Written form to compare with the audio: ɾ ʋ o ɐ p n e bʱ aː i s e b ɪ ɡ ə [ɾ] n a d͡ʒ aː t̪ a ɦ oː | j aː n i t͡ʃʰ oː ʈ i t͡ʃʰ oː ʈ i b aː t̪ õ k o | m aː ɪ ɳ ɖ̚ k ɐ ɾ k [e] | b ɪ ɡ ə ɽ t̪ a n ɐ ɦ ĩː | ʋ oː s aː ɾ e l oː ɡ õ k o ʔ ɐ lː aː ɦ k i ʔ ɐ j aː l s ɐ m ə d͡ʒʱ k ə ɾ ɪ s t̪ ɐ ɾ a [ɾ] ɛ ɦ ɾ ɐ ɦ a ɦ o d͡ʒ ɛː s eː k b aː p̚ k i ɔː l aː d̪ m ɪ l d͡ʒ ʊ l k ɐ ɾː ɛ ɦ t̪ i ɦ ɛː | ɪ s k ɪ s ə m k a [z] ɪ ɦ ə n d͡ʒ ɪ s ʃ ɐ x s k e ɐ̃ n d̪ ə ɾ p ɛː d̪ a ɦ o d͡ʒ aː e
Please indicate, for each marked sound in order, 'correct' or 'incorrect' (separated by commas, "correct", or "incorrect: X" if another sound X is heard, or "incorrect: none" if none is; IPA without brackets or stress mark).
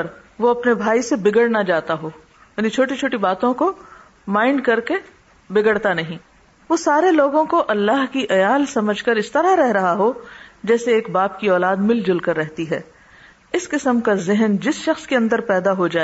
incorrect: ɽ, correct, correct, correct